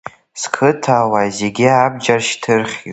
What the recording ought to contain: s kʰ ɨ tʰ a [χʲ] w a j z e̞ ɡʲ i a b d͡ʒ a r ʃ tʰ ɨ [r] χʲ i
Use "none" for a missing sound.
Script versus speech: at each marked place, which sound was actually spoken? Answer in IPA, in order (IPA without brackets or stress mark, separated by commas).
none, r